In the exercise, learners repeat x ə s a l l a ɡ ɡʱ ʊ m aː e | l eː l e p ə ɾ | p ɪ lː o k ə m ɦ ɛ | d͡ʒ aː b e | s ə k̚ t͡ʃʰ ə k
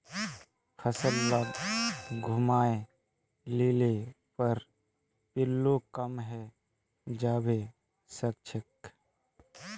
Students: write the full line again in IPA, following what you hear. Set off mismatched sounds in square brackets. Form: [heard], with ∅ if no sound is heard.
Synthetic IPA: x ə s [ə] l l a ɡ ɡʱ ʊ m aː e | l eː l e p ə ɾ | p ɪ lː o k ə m ɦ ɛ | d͡ʒ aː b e | s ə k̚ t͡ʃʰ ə k